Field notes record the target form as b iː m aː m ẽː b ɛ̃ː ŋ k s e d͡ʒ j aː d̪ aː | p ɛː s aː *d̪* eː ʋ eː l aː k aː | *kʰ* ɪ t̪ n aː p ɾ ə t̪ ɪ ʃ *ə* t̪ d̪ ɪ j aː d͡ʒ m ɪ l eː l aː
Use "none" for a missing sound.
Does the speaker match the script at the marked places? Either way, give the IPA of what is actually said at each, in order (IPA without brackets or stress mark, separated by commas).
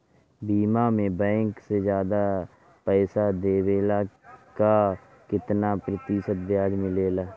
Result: d̪, k, ə